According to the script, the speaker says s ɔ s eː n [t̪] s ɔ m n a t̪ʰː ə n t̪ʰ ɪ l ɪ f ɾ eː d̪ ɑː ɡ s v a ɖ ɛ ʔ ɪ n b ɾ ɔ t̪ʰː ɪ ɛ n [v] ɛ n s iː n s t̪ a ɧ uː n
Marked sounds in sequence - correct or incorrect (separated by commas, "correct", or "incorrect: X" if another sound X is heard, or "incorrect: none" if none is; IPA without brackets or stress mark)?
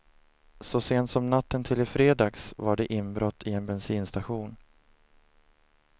correct, incorrect: b